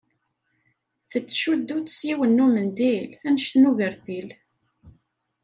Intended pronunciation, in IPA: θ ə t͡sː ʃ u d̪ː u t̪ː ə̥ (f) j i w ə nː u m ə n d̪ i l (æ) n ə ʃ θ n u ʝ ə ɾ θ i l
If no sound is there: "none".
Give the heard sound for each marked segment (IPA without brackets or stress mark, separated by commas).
s, æ